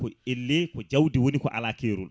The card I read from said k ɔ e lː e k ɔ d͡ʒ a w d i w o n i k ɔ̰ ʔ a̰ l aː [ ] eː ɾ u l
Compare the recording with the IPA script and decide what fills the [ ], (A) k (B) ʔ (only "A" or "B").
A